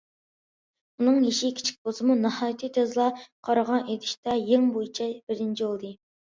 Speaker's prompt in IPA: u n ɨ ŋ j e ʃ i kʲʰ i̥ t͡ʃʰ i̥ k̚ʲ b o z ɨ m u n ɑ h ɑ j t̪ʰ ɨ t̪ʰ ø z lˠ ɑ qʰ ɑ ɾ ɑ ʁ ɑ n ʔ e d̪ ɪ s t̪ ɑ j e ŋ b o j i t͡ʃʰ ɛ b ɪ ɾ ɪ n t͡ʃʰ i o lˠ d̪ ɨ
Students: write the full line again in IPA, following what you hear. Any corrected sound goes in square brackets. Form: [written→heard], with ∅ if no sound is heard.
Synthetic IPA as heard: u n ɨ ŋ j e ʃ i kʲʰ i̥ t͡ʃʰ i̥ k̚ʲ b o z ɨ m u n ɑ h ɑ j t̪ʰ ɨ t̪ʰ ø z lˠ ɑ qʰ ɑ ɾ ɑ ʁ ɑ n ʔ e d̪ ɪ [s→ʃ] t̪ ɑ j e ŋ b o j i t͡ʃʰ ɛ b ɪ ɾ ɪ n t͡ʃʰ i o lˠ d̪ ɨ